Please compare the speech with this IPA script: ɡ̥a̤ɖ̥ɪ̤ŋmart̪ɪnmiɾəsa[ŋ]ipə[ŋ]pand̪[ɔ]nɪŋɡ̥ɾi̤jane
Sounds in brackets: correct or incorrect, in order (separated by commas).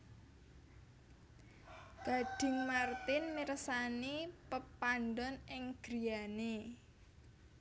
incorrect, incorrect, correct